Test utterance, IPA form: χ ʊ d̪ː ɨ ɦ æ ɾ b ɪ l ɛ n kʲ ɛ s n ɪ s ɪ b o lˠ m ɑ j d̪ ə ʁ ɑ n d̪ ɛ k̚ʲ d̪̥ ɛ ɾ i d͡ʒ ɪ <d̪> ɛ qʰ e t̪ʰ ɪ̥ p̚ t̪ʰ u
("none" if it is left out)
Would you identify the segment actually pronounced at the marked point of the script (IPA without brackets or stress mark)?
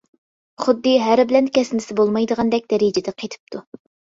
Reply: d̪